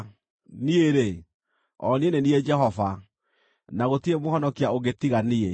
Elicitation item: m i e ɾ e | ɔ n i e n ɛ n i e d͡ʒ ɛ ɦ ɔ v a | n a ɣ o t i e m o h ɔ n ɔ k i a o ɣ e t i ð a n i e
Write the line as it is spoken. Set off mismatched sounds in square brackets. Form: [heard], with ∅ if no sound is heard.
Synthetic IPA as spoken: [n] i e ɾ e | ɔ n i e n [e] n i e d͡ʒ ɛ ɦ ɔ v a | n a ɣ o t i e m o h ɔ n ɔ k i a o ɣ e t i [ɣ] a n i e

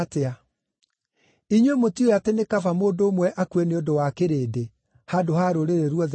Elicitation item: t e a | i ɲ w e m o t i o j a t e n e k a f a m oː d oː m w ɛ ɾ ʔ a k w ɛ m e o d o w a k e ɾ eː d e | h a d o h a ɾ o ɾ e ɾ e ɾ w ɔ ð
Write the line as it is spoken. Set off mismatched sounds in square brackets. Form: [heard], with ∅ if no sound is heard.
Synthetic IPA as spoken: t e a | i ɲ w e m o t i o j a t e n e k a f a m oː d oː m w ɛ [∅] ʔ a k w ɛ [n] e o d o w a k e ɾ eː d e | h a d o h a ɾ o ɾ e ɾ e ɾ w ɔ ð

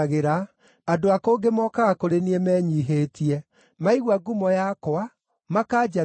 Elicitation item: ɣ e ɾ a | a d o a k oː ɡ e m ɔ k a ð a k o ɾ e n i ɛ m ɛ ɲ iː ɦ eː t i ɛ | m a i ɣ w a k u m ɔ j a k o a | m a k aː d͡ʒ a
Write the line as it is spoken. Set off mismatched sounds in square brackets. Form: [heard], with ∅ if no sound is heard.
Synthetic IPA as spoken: ɣ e ɾ a | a d o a k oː ɡ e m ɔ k a [ɣ] a k o ɾ e n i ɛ m ɛ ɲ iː ɦ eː t i ɛ | m a i ɣ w a [ɡ] u m ɔ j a k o a | m a k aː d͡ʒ a

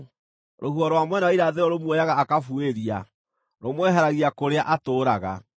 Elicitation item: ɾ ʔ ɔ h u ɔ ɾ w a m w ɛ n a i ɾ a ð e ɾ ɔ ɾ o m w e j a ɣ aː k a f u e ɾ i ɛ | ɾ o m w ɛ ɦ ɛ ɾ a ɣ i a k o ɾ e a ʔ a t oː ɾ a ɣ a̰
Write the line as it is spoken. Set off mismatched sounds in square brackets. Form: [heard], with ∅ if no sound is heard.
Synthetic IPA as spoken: ɾ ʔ [o] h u ɔ ɾ w a m w ɛ n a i ɾ a ð e ɾ ɔ ɾ o m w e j a ɣ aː k a f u e ɾ i [a] | ɾ o m w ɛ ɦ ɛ ɾ a ɣ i a k o ɾ e a ʔ a t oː ɾ a ɣ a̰

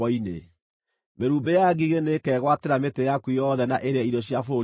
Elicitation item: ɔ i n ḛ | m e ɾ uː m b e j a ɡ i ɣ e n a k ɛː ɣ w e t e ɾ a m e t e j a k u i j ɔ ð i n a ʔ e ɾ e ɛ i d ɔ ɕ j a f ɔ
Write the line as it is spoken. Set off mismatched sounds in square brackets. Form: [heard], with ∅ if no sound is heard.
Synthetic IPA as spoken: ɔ i n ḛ | m e ɾ uː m b e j a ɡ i ɣ e n [e] k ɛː ɣ w [a] t e ɾ a m e t e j a k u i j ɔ ð [ɛ] n a ʔ e ɾ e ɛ i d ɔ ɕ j a f [o]

